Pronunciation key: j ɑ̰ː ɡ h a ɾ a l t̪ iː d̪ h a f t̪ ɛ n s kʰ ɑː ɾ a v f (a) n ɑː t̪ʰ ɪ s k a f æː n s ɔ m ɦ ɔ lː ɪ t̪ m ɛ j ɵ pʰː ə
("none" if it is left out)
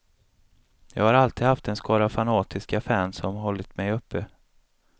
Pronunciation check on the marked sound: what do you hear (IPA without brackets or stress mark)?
a